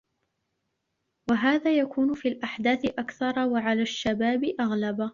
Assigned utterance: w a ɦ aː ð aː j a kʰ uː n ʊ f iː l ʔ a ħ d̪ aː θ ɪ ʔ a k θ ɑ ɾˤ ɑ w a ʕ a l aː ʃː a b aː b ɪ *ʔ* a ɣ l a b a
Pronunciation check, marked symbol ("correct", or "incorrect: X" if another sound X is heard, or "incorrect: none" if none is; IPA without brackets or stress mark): correct